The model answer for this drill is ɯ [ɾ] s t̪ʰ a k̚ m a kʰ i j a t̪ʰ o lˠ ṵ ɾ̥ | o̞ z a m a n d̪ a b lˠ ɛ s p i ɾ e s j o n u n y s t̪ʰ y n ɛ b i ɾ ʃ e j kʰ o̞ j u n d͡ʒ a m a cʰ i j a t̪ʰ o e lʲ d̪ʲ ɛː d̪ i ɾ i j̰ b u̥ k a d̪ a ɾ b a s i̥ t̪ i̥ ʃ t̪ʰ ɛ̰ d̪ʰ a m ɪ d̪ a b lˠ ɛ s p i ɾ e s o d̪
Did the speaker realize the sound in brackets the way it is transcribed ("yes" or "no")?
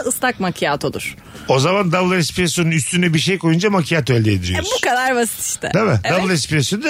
no